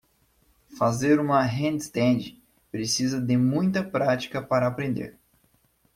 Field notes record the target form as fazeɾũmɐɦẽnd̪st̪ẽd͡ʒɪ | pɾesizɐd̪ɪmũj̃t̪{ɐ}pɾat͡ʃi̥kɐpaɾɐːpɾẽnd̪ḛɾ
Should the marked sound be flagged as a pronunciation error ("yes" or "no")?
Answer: no